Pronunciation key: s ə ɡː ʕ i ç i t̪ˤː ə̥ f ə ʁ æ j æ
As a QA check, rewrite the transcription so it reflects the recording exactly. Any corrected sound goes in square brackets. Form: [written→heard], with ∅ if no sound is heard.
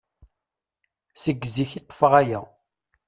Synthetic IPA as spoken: s ə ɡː [ʕ→z] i ç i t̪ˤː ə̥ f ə ʁ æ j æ